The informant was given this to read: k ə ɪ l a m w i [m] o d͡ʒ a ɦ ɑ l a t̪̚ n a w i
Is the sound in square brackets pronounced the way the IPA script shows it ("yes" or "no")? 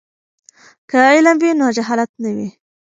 no